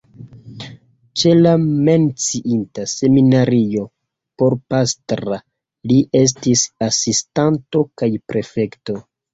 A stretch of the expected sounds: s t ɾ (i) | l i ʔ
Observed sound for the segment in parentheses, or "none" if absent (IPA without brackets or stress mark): a